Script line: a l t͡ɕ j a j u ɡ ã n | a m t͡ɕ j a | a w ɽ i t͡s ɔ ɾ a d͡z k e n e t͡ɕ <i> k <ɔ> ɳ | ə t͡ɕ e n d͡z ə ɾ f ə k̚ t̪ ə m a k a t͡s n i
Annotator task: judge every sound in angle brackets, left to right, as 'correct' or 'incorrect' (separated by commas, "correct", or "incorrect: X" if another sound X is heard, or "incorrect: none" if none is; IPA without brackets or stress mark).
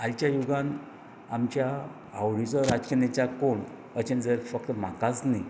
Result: incorrect: a, incorrect: o